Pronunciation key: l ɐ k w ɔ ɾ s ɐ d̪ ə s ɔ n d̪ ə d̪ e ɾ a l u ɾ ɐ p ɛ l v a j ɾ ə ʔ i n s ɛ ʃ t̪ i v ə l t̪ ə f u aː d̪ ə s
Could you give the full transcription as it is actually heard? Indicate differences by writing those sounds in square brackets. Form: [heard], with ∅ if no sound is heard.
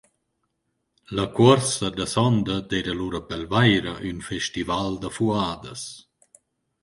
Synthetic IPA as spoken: l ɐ k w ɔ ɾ s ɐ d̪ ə s ɔ n d̪ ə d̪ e ɾ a l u ɾ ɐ p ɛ l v a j ɾ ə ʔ [y] n [f] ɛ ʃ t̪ i v [a] l [d̪] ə f u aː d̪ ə s